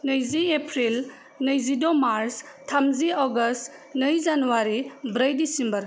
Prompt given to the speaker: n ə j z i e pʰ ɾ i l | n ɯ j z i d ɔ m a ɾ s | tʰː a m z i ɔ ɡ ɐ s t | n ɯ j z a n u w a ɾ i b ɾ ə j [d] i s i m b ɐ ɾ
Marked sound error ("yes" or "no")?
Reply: no